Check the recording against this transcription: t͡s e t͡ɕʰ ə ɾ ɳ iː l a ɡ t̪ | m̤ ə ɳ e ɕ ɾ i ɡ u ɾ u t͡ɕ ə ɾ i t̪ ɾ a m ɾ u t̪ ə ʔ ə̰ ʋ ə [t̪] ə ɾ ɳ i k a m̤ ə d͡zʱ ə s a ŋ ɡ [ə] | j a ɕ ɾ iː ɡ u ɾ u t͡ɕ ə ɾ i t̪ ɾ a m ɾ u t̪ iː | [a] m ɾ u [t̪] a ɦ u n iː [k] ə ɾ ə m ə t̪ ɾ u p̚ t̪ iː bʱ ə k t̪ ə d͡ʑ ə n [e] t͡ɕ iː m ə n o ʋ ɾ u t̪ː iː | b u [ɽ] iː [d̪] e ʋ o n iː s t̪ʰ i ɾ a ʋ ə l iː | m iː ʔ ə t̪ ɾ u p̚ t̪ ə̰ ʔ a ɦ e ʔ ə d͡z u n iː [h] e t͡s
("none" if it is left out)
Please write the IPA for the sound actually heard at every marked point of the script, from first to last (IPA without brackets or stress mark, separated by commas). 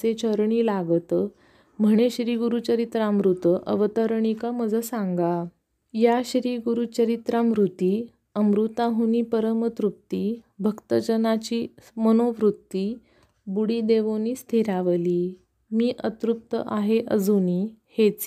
t̪, a, ə, t̪, p, a, ɽ, d̪, h